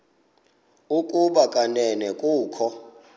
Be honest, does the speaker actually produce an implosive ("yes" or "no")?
yes